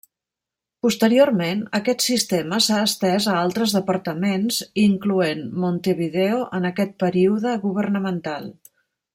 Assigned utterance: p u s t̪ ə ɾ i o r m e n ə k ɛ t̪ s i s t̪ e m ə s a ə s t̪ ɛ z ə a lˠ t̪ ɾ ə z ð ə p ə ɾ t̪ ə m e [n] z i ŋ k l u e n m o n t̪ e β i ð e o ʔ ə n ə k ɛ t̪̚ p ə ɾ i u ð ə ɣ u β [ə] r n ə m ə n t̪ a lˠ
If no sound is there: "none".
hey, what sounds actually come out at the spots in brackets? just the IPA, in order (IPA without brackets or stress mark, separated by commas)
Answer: n, ə